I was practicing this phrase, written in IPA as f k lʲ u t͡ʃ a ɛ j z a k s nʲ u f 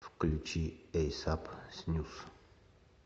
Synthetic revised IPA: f k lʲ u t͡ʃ i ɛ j s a p s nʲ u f